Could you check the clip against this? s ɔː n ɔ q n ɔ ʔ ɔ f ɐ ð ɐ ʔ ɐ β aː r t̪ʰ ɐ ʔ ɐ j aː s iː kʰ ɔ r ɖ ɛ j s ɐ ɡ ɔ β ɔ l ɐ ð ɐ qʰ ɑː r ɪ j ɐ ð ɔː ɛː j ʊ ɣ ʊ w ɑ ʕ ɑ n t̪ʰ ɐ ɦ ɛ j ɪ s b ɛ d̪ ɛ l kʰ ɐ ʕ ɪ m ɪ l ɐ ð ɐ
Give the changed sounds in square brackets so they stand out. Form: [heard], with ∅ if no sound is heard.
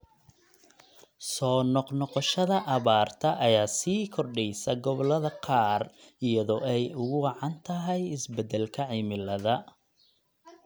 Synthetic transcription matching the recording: s ɔː n ɔ q n ɔ [q] ɔ [ʃ] ɐ ð ɐ ʔ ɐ β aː r t̪ʰ ɐ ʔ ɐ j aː s iː kʰ ɔ r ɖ ɛ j s ɐ ɡ ɔ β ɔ l ɐ ð ɐ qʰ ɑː r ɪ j ɐ ð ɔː [ɛ] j ʊ ɣ ʊ w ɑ ʕ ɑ n t̪ʰ ɐ ɦ ɛ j ɪ s b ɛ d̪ ɛ l kʰ ɐ ʕ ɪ m ɪ l ɐ ð ɐ